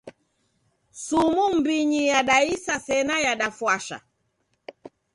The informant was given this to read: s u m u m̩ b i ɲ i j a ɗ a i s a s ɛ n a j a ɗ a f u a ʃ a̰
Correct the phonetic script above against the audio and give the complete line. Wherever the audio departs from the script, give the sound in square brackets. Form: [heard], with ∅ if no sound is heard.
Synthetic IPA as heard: s u m u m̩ b i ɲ i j a ɗ a i s a s ɛ n a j a ɗ a f [w] a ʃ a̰